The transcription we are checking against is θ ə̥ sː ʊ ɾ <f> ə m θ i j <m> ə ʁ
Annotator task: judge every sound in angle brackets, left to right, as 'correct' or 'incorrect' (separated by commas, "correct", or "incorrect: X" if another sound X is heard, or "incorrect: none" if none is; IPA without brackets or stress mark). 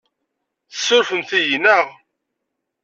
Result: correct, incorrect: n